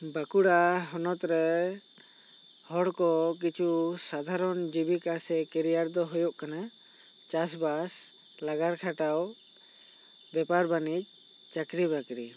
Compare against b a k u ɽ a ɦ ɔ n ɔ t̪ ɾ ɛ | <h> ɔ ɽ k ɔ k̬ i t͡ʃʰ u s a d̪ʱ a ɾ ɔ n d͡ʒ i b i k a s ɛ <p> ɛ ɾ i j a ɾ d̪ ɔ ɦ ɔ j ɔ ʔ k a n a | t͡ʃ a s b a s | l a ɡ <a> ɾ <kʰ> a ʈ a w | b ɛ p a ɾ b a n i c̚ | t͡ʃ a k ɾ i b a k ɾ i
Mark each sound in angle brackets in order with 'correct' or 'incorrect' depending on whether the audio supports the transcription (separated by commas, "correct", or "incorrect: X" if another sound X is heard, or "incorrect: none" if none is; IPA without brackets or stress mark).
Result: correct, incorrect: k, correct, correct